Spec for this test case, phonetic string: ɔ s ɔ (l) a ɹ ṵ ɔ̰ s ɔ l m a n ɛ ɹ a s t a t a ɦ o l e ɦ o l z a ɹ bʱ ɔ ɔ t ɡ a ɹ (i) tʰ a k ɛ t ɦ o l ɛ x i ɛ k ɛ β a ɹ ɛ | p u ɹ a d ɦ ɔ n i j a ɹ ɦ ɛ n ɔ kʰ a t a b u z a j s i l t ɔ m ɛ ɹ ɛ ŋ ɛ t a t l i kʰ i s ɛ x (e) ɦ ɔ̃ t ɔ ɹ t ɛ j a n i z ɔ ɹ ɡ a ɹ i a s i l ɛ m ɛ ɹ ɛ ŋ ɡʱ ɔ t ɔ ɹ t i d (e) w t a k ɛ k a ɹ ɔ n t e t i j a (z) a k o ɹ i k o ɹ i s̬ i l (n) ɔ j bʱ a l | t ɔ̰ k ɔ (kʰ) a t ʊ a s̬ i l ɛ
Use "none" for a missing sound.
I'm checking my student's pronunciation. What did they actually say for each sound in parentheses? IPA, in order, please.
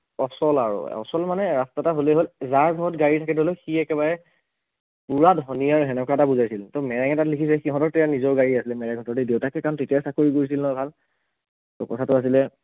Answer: l, i, i, e, s, n, tʰ

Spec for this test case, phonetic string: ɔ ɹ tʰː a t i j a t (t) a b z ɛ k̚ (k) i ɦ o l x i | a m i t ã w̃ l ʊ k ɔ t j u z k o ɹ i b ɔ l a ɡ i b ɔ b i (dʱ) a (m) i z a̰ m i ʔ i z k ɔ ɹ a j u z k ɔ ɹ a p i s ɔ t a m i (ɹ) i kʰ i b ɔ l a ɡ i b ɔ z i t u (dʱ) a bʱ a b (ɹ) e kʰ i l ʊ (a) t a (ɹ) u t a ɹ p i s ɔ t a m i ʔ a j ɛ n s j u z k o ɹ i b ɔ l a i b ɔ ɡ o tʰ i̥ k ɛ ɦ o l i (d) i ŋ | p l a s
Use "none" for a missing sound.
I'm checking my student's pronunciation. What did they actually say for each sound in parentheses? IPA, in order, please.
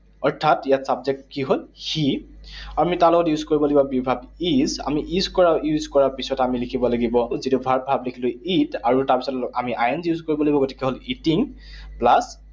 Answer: s, k, bʱ, b, l, bʱ, l, i, ɹ, t

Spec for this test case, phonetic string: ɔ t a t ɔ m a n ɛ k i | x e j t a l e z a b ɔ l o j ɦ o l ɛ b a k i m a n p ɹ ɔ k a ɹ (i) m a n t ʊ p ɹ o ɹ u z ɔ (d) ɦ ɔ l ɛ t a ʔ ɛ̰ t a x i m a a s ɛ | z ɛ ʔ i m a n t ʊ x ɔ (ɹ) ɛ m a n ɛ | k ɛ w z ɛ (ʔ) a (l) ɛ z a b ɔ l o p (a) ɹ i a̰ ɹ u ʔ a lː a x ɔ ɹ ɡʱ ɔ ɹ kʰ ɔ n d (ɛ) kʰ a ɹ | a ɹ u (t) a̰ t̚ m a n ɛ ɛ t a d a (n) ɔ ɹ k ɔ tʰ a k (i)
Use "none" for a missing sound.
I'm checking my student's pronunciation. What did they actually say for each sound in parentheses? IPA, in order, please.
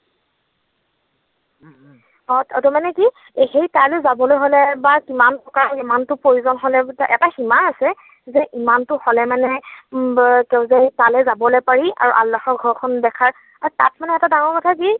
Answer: i, n, l, t, l, a, ɛ, t, ŋ, i

